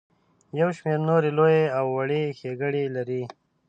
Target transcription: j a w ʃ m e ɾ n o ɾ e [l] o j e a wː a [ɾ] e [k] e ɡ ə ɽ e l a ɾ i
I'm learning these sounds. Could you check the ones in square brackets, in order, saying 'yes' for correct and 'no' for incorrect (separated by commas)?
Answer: yes, no, no